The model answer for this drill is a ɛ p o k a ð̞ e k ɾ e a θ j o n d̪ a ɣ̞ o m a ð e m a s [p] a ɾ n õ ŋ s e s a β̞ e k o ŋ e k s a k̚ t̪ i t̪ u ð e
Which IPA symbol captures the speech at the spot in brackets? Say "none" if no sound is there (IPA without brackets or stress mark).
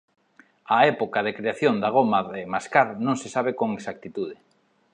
k